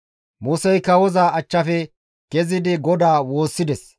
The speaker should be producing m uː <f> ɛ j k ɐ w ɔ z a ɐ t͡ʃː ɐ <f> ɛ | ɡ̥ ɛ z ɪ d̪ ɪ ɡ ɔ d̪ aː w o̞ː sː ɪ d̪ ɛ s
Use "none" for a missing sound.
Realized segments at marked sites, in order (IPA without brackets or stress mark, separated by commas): s, f